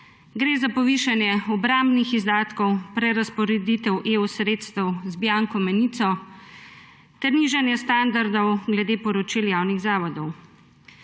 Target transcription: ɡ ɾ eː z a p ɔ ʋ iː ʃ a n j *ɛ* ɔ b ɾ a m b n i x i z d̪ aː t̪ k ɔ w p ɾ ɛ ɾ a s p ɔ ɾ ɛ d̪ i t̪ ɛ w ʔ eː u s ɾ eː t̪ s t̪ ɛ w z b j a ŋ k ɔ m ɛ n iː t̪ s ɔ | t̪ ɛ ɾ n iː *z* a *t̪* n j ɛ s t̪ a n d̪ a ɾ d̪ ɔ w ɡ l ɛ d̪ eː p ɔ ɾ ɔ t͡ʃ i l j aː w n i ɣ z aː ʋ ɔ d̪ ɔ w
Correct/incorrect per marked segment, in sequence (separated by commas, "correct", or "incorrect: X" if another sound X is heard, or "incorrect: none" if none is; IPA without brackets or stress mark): correct, incorrect: ʒ, incorrect: none